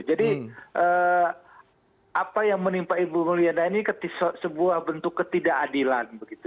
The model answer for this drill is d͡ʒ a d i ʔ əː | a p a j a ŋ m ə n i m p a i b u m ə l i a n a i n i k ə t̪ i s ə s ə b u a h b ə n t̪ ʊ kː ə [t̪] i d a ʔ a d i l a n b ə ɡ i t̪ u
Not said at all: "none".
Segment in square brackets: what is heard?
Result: t̪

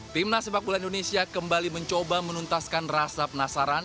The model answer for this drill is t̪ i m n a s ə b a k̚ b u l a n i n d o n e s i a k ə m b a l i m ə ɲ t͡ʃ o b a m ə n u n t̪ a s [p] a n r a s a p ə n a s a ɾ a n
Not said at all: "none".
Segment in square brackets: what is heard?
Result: k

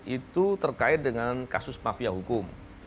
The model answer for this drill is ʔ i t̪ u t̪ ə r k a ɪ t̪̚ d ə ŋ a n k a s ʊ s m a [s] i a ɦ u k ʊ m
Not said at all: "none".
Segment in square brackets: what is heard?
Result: f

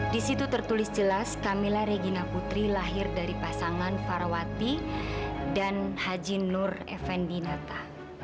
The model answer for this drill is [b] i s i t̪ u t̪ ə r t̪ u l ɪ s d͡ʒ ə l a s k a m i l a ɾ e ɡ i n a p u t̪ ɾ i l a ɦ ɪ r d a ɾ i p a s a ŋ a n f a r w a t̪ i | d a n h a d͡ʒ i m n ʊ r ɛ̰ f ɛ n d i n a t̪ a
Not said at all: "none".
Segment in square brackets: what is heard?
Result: d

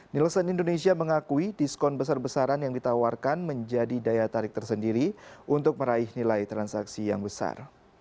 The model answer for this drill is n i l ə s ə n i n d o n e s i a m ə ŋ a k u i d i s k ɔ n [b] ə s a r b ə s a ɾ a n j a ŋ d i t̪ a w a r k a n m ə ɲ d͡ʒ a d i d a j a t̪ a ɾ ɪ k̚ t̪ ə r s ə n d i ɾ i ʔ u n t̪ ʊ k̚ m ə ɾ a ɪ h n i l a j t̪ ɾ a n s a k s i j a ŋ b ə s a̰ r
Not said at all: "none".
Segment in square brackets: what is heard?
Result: b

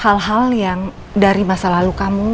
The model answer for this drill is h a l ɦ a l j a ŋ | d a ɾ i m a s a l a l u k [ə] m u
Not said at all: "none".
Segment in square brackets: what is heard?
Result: a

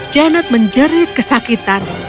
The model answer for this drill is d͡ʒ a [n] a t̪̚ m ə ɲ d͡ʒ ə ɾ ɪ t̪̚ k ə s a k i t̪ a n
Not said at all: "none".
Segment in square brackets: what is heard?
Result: n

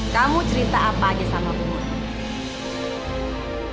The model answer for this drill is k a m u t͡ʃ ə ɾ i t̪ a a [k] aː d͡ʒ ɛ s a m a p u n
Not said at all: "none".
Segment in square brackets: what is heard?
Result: p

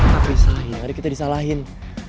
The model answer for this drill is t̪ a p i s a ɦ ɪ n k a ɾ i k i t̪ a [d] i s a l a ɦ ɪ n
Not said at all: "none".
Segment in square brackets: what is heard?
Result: d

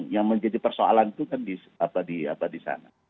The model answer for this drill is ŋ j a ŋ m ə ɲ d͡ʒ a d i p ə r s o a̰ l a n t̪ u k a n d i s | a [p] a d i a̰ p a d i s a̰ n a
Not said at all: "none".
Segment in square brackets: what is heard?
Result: p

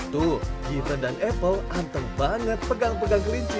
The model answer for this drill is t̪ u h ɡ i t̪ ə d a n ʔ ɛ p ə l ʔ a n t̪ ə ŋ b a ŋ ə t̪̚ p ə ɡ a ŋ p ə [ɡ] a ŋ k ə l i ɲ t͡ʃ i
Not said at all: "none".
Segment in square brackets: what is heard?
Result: ɡ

